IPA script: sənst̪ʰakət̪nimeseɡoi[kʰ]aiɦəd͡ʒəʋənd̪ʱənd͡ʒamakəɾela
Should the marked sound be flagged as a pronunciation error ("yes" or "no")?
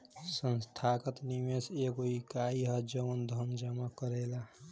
yes